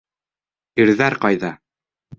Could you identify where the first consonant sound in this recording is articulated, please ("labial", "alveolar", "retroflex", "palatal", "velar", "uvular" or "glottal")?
alveolar